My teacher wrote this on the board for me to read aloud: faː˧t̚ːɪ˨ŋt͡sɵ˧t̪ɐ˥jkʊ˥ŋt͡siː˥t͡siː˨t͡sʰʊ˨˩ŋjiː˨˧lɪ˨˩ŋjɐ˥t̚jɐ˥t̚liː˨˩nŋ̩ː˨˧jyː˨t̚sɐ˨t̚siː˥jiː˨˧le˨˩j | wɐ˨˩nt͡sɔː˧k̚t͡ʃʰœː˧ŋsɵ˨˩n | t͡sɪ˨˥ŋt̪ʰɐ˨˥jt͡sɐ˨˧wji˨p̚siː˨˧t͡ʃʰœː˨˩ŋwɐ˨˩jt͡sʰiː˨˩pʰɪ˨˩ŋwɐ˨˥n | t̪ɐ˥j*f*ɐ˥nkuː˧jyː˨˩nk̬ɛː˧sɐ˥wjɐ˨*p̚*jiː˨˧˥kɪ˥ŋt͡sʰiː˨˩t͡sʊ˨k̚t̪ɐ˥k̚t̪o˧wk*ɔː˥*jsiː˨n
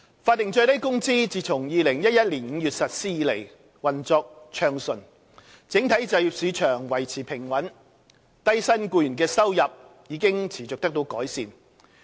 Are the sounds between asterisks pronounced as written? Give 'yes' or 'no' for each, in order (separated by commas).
no, yes, no